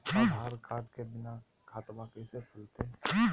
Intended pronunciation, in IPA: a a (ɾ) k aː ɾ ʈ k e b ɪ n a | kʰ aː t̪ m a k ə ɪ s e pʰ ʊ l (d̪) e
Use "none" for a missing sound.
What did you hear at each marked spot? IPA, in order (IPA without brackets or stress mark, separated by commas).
ɾ, t̪